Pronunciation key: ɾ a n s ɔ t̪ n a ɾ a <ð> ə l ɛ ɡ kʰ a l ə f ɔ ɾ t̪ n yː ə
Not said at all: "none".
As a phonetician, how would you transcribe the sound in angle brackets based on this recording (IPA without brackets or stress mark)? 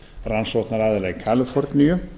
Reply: ð